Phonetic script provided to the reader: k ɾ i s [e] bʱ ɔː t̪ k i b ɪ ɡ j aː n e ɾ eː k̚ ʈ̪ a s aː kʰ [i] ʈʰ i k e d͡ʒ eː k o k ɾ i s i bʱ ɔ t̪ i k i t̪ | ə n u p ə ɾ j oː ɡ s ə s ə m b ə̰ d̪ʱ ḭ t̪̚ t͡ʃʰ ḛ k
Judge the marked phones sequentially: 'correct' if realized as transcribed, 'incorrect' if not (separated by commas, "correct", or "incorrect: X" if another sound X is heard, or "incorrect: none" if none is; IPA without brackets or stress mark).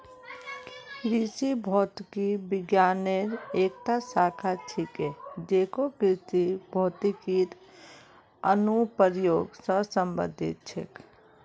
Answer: incorrect: i, incorrect: a